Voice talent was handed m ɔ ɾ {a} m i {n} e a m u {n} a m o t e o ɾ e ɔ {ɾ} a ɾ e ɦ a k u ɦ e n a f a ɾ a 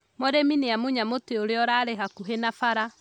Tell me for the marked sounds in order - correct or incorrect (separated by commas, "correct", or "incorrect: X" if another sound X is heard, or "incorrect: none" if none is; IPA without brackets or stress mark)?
incorrect: e, correct, incorrect: ɲ, correct